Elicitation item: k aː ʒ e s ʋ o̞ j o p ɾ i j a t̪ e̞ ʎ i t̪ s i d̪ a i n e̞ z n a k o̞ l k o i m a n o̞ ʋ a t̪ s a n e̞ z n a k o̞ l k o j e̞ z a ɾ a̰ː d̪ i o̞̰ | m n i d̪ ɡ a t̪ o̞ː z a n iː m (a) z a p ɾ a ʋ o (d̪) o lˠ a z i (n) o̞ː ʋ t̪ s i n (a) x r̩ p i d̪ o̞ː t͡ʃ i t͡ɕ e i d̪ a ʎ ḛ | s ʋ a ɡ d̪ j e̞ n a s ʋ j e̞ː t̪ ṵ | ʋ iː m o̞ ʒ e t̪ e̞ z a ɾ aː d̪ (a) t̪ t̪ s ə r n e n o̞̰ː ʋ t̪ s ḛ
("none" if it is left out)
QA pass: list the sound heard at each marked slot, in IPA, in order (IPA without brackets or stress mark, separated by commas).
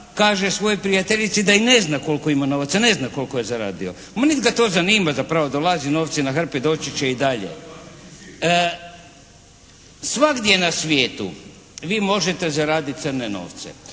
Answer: a, d̪, n, a, i